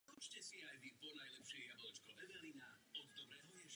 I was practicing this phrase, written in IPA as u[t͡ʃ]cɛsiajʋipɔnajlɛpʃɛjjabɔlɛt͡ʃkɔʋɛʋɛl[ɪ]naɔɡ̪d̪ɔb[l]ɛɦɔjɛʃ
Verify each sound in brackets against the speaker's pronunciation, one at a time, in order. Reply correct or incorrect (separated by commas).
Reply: correct, incorrect, incorrect